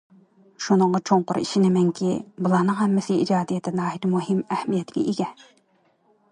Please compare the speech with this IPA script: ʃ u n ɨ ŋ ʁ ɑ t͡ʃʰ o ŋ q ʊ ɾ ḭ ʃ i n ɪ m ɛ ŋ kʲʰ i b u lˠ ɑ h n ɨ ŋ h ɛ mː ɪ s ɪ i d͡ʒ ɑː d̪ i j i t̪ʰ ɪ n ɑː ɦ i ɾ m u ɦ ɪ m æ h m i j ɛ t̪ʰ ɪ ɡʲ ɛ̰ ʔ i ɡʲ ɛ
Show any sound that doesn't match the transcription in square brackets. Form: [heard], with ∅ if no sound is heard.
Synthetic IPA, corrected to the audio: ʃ u n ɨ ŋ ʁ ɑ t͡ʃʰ o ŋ q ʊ ɾ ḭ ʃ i n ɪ m ɛ ŋ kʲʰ i b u lˠ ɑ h n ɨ ŋ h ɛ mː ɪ s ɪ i d͡ʒ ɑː d̪ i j [ɛ] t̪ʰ ɪ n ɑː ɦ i ɾ m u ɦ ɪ m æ h m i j ɛ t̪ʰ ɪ ɡʲ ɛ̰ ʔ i ɡʲ ɛ

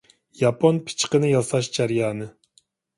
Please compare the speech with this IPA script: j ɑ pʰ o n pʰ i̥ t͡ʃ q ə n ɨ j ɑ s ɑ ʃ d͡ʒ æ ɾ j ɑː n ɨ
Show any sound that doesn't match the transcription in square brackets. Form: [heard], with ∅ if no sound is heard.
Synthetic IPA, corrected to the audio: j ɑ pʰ o n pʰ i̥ t͡ʃ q ə n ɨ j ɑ s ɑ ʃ d͡ʒ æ ɾ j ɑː n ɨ

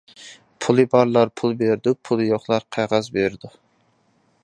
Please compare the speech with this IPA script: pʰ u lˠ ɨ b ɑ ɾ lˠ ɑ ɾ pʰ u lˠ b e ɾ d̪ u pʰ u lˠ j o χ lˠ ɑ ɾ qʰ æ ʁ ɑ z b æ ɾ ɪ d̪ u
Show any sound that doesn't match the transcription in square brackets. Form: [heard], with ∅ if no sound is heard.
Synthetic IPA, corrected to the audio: pʰ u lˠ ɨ b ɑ ɾ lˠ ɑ ɾ pʰ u lˠ b e ɾ d̪ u pʰ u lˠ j o χ lˠ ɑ ɾ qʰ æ ʁ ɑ z b [e] ɾ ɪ d̪ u

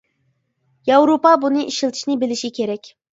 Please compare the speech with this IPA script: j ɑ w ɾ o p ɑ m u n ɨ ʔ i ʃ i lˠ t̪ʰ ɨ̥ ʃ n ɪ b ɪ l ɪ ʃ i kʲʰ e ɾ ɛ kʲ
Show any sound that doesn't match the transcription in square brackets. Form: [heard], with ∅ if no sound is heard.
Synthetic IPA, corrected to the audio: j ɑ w ɾ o p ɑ [b] u n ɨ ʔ i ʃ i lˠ t̪ʰ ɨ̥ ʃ n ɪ b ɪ l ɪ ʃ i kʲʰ e ɾ ɛ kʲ

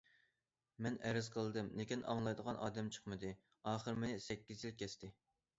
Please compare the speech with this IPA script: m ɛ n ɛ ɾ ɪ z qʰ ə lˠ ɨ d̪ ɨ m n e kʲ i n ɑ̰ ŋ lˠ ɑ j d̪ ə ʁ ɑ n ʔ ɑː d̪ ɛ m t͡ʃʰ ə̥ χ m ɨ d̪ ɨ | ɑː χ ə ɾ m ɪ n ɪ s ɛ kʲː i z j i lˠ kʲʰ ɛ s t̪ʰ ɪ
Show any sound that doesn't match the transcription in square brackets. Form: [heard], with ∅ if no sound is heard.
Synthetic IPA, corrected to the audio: m ɛ n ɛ ɾ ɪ z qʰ ə lˠ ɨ d̪ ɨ m n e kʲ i n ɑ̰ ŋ lˠ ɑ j d̪ ə ʁ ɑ n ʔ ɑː d̪ ɛ m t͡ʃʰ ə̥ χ m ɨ d̪ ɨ | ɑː χ ə ɾ m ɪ n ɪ s ɛ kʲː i z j i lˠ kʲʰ ɛ s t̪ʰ ɪ

